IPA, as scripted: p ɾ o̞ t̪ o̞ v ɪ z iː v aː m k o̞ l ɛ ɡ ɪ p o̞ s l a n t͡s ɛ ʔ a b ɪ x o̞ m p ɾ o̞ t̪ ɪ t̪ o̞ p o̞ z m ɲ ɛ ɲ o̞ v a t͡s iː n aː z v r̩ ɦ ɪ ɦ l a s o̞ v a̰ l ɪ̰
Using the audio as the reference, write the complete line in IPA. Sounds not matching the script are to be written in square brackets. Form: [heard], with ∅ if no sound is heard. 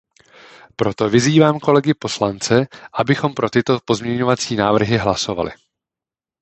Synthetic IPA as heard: p ɾ o̞ t̪ o̞ v ɪ z iː v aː m k o̞ l ɛ ɡ ɪ p o̞ s l a n t͡s ɛ ʔ a b ɪ x o̞ m p ɾ o̞ t̪ ɪ t̪ o̞ p o̞ z m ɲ ɛ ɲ o̞ v a t͡s iː n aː [∅] v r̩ ɦ ɪ ɦ l a s o̞ v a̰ l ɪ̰